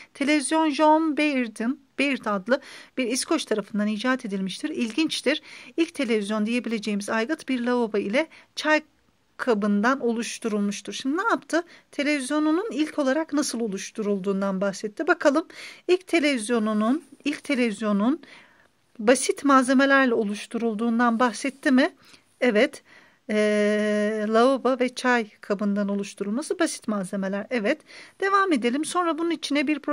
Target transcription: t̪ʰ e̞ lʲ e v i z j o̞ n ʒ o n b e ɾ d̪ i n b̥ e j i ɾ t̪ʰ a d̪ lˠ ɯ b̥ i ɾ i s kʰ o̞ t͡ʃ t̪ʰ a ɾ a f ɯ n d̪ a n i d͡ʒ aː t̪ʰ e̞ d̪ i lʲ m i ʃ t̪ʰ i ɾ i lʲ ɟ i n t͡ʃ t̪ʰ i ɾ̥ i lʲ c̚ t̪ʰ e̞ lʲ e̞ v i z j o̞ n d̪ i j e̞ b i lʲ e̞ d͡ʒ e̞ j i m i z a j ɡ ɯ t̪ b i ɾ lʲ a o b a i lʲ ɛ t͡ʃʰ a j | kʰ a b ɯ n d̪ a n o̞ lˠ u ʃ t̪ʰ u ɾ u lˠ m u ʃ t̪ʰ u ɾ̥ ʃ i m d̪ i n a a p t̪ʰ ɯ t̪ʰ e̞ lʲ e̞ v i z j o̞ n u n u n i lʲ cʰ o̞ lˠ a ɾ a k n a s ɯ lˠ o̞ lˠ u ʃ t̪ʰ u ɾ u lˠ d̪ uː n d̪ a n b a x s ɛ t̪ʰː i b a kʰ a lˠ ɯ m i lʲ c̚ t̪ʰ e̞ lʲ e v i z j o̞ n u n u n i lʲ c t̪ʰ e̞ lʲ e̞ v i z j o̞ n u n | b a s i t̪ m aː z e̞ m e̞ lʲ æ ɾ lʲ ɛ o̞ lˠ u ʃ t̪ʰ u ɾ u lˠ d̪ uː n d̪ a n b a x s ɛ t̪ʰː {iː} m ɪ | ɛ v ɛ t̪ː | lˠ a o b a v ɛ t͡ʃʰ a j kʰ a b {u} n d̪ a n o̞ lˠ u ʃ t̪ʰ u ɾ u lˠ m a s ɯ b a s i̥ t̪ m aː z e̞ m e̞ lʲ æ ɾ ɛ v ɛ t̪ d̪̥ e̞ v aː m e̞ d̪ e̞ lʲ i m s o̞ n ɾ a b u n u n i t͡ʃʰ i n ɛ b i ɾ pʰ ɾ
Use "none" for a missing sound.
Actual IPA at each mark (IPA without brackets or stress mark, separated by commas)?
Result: i, ɯ